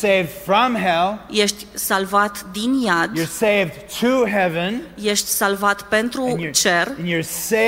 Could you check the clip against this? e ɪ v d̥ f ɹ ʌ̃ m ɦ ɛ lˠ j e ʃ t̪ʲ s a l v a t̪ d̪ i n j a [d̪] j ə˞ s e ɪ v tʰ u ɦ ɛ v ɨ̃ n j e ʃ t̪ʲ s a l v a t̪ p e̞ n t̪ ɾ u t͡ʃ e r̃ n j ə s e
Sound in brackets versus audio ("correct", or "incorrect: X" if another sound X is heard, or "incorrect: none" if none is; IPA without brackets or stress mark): correct